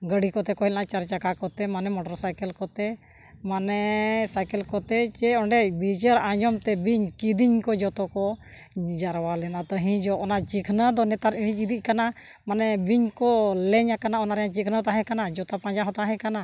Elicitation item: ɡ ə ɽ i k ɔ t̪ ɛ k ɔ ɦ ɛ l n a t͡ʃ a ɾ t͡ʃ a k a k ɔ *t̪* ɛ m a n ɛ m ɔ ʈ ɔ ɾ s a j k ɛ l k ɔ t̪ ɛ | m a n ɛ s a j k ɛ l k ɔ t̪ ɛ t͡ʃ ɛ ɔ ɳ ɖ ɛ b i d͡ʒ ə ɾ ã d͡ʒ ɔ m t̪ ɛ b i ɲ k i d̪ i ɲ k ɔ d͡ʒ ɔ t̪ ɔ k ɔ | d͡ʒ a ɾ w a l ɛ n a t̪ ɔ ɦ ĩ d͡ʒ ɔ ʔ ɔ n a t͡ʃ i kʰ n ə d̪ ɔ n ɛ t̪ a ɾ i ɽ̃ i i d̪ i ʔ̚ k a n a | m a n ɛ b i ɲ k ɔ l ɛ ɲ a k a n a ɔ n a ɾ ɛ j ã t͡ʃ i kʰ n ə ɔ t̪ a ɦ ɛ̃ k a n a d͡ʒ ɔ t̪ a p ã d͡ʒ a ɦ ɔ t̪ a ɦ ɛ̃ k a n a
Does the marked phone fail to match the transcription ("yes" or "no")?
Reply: no